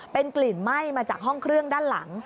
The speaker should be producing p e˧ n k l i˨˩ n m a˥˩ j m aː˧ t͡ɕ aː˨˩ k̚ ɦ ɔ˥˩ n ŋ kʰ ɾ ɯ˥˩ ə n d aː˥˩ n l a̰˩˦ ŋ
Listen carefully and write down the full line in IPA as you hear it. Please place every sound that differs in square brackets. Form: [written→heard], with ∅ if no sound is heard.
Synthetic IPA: p e˧ n k l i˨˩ n m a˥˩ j m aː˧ t͡ɕ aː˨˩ k̚ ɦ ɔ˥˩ [n→∅] ŋ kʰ ɾ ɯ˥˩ ə [n→ŋ] d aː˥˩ n l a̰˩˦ ŋ

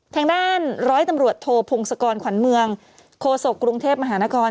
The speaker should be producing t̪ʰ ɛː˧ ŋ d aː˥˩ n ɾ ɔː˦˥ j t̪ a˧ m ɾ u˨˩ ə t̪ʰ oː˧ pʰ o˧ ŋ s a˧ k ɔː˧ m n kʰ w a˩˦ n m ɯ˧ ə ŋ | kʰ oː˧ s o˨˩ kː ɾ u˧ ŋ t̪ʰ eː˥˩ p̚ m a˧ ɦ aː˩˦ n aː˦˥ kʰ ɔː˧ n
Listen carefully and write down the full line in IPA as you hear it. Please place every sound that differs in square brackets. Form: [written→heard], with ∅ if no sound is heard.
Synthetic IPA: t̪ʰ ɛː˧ ŋ d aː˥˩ n ɾ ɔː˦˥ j t̪ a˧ m ɾ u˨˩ ə t̪ʰ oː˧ pʰ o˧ ŋ s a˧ k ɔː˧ [m→∅] n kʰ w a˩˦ n m ɯ˧ ə ŋ | kʰ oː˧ s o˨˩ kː ɾ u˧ ŋ t̪ʰ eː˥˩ p̚ m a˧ ɦ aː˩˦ n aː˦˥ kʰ ɔː˧ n

